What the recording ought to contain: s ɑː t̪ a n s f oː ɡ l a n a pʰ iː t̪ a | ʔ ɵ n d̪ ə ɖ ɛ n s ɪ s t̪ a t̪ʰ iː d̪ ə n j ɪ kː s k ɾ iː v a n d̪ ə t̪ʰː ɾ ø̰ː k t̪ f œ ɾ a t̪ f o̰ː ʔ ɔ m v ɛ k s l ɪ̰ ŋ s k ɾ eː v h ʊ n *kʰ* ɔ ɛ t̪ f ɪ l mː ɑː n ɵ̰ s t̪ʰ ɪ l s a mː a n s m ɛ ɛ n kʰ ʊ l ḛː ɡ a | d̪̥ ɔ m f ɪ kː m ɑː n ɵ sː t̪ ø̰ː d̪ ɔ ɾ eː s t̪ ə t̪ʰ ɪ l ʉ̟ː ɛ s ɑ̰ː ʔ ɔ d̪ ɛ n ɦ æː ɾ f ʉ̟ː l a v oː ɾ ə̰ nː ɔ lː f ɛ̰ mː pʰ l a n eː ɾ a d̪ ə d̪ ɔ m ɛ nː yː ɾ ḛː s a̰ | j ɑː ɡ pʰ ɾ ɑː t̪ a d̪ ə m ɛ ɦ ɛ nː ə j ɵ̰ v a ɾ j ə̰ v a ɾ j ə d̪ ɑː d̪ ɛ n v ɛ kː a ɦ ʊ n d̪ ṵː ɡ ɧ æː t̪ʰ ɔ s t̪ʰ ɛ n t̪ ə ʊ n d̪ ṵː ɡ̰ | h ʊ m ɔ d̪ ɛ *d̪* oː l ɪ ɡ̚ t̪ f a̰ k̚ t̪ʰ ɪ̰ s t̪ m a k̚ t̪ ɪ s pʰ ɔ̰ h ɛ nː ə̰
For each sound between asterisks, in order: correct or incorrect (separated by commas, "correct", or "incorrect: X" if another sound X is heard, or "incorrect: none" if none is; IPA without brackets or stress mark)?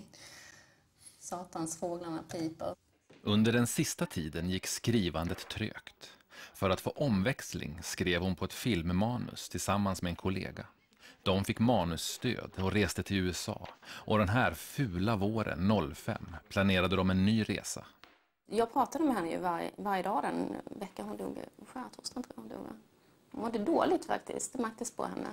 incorrect: pʰ, correct